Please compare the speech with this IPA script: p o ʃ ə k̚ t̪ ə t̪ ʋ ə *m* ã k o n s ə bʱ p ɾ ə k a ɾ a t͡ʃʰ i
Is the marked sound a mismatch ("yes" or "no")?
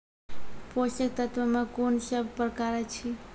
no